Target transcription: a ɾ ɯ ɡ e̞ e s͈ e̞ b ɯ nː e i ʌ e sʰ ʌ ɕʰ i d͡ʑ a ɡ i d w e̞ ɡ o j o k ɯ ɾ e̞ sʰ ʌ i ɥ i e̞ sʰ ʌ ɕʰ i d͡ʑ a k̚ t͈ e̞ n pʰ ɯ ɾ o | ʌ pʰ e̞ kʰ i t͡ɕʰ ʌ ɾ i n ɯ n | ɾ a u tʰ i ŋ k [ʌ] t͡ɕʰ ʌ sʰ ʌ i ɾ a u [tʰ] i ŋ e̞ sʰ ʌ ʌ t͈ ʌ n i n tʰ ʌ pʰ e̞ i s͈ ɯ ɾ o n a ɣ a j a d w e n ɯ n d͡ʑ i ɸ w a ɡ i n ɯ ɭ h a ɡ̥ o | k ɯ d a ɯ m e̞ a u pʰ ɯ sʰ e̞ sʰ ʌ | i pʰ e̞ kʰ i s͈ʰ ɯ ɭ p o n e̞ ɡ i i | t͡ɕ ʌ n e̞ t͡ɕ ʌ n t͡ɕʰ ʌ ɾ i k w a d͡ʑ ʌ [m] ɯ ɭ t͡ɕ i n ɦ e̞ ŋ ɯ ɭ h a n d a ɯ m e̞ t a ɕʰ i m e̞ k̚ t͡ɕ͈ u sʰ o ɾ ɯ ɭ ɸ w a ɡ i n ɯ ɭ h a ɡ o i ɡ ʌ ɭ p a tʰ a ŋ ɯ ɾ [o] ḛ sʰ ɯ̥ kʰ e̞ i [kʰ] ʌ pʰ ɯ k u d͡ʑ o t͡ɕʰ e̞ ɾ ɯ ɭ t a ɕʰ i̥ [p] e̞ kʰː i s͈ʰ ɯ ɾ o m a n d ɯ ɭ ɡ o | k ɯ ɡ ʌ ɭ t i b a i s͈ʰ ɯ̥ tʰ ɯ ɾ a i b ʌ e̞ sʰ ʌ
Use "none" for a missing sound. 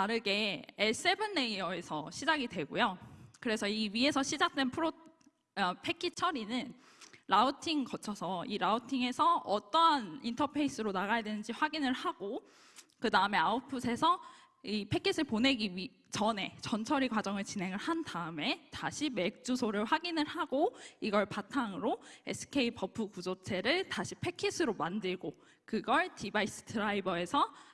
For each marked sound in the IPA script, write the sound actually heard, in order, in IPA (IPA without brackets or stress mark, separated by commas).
ʌ, tʰ, ŋ, o, pʰ, pʰ